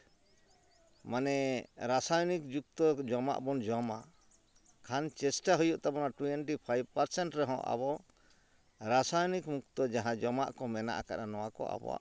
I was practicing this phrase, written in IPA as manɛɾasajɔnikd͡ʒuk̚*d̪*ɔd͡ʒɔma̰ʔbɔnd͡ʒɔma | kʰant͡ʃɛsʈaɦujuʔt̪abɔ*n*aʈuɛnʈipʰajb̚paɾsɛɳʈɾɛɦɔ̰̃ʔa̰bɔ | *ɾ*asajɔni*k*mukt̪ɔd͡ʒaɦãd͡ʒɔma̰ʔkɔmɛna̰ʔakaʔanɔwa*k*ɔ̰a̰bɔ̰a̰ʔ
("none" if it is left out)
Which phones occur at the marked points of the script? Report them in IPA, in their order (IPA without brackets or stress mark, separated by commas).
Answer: t̪, n, ɾ, k, k